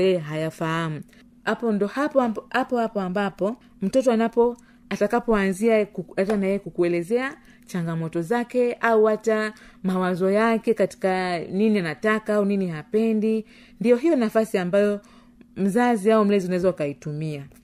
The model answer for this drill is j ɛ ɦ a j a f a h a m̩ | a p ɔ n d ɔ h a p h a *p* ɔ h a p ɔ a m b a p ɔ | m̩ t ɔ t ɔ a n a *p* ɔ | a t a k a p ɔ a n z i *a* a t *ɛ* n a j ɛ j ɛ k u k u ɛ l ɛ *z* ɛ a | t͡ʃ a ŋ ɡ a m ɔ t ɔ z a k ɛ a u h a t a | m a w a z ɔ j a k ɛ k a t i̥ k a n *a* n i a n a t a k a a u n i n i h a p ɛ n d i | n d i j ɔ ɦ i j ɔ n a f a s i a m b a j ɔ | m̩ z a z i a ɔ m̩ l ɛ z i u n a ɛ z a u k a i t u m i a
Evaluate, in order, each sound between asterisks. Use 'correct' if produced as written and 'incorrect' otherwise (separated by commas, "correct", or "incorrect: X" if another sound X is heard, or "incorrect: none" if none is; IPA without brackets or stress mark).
correct, correct, correct, incorrect: a, correct, incorrect: i